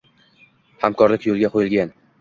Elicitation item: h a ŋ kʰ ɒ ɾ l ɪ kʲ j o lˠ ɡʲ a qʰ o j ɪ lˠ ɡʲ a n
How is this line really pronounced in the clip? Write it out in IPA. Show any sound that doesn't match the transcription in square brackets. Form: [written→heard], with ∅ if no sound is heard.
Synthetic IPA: h a [ŋ→m] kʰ ɒ ɾ l ɪ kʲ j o lˠ ɡʲ a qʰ o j ɪ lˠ ɡʲ a n